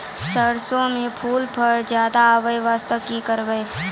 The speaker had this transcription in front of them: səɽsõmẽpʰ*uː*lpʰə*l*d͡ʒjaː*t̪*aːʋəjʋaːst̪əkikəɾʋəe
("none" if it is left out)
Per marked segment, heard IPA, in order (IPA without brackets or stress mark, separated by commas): uː, ɾ, d̪